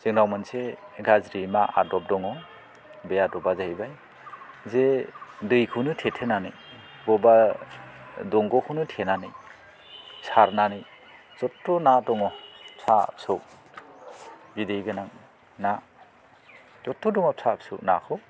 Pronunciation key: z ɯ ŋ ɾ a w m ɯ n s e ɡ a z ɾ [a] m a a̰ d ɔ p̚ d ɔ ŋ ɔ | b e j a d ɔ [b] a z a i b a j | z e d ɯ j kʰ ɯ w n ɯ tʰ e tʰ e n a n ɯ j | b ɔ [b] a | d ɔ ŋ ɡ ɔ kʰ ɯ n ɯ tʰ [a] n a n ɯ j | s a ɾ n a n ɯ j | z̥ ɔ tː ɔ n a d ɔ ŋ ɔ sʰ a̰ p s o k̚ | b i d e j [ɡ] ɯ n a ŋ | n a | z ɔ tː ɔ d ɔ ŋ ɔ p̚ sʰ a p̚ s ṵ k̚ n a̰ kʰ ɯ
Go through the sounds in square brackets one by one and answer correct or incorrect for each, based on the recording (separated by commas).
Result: incorrect, correct, correct, incorrect, correct